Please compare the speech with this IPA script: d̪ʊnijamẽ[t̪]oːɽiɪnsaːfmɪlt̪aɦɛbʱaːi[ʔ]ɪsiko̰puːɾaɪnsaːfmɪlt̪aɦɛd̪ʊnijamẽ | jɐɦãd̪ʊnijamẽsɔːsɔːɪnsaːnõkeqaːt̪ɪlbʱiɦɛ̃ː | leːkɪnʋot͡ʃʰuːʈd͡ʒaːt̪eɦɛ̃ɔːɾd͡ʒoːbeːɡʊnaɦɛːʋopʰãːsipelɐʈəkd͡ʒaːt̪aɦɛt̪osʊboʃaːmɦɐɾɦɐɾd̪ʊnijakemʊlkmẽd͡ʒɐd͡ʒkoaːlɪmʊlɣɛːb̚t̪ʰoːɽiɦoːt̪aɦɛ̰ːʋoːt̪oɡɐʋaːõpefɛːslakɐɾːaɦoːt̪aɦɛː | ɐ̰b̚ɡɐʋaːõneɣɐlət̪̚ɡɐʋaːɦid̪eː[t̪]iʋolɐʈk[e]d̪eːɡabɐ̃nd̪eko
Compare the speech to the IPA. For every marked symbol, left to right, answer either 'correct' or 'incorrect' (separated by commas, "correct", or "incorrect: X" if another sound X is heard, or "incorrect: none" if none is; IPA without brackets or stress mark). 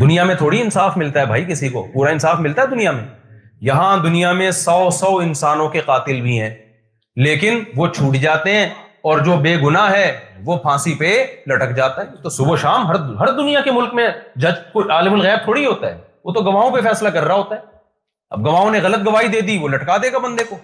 incorrect: t̪ʰ, incorrect: k, incorrect: d̪, incorrect: a